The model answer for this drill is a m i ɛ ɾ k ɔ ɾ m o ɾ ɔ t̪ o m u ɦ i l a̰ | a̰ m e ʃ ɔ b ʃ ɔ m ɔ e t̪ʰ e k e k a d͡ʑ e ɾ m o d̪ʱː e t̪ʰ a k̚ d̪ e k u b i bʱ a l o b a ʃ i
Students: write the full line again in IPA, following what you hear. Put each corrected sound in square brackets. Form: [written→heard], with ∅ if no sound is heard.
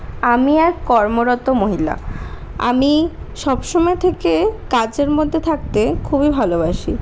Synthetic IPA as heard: a m i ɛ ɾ k ɔ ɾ m o ɾ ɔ t̪ o m [u→o] ɦ i l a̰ | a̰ m [e→i] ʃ ɔ b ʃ ɔ m ɔ e t̪ʰ e k e k a d͡ʑ e ɾ m o d̪ʱː e t̪ʰ a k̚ [d̪→t̪] e [k→kʰ] u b i bʱ a l o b a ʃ i